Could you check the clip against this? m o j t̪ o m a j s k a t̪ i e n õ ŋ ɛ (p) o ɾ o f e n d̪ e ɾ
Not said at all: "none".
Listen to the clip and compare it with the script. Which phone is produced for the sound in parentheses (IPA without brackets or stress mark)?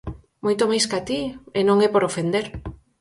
p